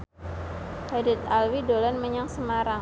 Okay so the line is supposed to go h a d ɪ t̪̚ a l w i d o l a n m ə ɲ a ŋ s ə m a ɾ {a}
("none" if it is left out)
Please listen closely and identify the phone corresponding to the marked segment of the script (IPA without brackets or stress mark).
a